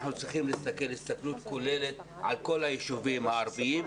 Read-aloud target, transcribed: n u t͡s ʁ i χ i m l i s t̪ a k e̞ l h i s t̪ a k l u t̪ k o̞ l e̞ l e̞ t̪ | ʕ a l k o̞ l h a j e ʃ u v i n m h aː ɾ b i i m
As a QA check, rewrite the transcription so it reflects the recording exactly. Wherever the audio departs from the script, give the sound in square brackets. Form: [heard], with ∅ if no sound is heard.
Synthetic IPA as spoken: n u t͡s ʁ i χ i m l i s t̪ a k e̞ l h i s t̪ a k l u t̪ k o̞ l e̞ l e̞ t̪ | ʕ a l k o̞ l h a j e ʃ u v i [∅] m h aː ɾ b i i m